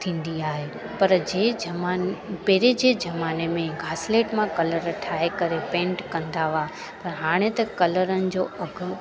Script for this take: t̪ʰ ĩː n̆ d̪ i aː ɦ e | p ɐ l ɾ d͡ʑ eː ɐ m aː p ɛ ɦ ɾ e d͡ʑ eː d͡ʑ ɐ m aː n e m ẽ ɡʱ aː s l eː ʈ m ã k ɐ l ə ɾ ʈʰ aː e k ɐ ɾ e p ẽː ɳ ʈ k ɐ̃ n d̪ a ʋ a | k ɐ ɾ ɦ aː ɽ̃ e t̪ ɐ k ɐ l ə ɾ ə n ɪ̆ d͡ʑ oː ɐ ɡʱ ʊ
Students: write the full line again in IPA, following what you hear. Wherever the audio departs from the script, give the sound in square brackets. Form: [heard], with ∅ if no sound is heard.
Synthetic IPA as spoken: t̪ʰ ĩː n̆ d̪ i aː ɦ e | p ɐ [∅] ɾ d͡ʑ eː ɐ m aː p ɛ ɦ ɾ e d͡ʑ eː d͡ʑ ɐ m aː n e m ẽ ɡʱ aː s l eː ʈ m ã k ɐ l ə ɾ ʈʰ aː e k ɐ ɾ e p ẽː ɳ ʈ k ɐ̃ n d̪ a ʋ a | [p] ɐ ɾ ɦ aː ɽ̃ e t̪ ɐ k ɐ l ə ɾ ə n ɪ̆ d͡ʑ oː ɐ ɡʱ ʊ